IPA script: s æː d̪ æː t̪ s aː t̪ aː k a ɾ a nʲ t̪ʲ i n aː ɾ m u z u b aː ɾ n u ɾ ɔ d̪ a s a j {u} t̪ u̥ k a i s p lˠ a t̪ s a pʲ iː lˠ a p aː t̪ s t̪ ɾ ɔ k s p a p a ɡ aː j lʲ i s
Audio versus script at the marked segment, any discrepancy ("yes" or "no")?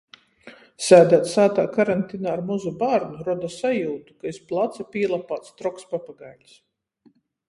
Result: yes